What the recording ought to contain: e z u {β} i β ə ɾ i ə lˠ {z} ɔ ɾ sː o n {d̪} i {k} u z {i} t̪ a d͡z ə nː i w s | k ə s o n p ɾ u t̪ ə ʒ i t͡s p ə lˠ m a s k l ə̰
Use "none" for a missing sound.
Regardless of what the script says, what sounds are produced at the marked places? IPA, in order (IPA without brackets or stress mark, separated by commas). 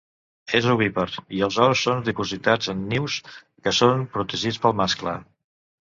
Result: β, z, d̪, p, i